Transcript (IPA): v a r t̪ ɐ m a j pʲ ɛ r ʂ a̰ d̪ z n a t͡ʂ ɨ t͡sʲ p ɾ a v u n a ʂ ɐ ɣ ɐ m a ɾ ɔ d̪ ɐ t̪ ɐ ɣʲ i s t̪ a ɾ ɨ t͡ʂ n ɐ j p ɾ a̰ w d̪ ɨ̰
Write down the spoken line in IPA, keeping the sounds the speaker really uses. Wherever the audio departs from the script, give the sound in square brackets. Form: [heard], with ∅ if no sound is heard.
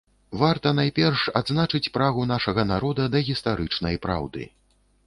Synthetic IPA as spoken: v a r t̪ ɐ [n] a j pʲ ɛ r ʂ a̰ d̪ z n a t͡ʂ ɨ t͡sʲ p ɾ a [ɣ] u n a ʂ ɐ ɣ ɐ [n] a ɾ ɔ d̪ ɐ [d̪] ɐ ɣʲ i s t̪ a ɾ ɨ t͡ʂ n ɐ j p ɾ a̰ w d̪ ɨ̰